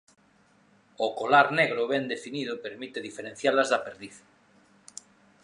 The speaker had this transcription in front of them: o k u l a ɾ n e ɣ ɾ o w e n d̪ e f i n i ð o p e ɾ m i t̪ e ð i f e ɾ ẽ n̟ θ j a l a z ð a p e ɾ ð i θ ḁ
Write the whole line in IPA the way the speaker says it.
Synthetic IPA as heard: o k o l a ɾ n e ɣ ɾ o β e n d̪ e f i n i ð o p e ɾ m i t̪ e ð i f e ɾ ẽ n̟ θ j a l a z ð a p e ɾ ð i θ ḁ

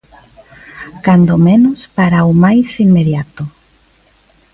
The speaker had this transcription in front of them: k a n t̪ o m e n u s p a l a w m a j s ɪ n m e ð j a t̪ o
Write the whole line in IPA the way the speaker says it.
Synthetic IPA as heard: k a n d̪ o m e n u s p a ɾ a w m a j s i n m e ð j a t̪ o

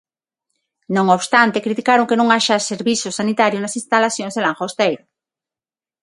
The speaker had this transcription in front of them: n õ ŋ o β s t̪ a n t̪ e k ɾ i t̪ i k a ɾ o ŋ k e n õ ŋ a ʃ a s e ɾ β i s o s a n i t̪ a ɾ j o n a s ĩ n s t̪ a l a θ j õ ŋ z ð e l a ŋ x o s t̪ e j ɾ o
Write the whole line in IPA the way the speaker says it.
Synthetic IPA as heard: n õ ŋ o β s t̪ a n t̪ e k ɾ i t̪ i k a ɾ o ŋ k e n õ ŋ a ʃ a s e ɾ β i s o s a n i t̪ a ɾ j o n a s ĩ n s t̪ a l a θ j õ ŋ z ð e l a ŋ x o s t̪ e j ɾ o

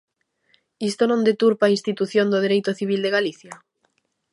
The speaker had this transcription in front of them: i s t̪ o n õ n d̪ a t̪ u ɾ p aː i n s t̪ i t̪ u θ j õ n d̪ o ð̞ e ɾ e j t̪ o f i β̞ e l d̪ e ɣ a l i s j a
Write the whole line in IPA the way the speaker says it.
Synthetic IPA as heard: i s t̪ o n õ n d̪ e t̪ u ɾ p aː i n s t̪ i t̪ u θ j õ n d̪ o ð̞ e ɾ e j t̪ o θ i β̞ i l d̪ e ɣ a l i θ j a

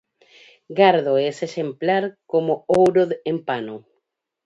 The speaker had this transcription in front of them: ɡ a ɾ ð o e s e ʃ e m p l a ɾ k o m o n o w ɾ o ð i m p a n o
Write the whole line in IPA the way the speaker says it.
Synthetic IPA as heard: ɡ a ɾ ð o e s e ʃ e m p l a ɾ k o m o o w ɾ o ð e m p a n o

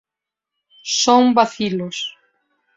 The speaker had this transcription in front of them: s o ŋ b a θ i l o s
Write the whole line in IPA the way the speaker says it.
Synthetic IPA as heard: s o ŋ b a θ i l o s

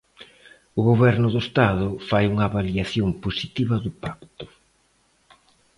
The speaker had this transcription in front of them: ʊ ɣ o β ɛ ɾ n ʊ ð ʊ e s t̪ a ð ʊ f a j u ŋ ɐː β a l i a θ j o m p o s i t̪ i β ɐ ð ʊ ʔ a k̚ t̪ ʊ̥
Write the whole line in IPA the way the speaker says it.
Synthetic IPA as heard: ʊ ɣ o β ɛ ɾ n ʊ ð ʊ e s t̪ a ð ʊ f a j u ŋ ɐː β a l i a θ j o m p o s i t̪ i β ɐ ð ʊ p a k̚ t̪ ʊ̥

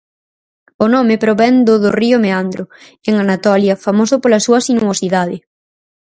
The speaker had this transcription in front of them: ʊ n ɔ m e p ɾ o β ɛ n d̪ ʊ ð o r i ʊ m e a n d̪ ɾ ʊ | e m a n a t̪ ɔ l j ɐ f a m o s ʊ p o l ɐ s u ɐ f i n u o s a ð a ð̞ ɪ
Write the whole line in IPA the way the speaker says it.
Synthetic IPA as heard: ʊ n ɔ m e p ɾ o β ɛ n d̪ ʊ ð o r i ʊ m e a n d̪ ɾ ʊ | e ŋ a n a t̪ ɔ l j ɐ f a m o s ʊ p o l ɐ s u ɐ s i n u o s i ð a ð̞ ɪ

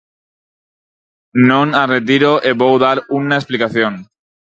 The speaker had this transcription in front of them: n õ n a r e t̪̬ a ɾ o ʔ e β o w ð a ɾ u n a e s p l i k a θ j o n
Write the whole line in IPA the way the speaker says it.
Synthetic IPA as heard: n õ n a r e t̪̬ i ɾ o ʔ e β o w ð a ɾ u n a e s p l i k a θ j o n

